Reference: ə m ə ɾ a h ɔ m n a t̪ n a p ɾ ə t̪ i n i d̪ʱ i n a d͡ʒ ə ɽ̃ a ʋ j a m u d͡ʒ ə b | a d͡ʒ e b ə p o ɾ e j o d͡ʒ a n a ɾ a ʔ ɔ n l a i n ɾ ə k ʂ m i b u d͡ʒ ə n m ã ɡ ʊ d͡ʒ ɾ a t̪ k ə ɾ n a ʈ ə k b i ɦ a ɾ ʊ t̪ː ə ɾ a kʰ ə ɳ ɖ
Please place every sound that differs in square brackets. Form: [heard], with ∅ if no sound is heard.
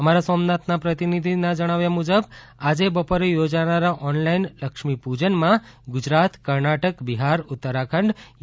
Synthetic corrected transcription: ə m [a] ɾ a [s] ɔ m n a t̪ n a p ɾ ə t̪ i n i d̪ʱ i n a d͡ʒ ə ɽ̃ a ʋ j a m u d͡ʒ ə b | a d͡ʒ e b ə p o ɾ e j o d͡ʒ a n a ɾ a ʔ ɔ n l a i n [l] ə k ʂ m i [p] u d͡ʒ ə n m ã ɡ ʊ d͡ʒ ɾ a t̪ k ə ɾ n a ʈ ə k b i ɦ a ɾ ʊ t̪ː ə ɾ a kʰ ə ɳ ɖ